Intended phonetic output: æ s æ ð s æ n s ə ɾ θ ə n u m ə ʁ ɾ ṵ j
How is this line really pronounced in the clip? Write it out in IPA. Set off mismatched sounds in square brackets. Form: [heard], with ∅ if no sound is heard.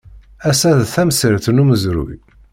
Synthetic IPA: æ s æ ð [θ] æ [m] s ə ɾ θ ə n u m ə [z] ɾ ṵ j